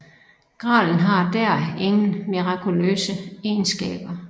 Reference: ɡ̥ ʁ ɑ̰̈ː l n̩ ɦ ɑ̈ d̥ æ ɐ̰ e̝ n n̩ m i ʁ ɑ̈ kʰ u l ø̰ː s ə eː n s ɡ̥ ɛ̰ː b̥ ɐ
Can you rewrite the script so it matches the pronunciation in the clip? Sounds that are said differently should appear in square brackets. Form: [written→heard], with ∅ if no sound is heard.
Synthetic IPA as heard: ɡ̥ ʁ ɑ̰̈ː l n̩ ɦ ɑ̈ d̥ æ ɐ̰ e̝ [n→ŋ] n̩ m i ʁ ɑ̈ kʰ u l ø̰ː s ə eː n s ɡ̥ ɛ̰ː b̥ ɐ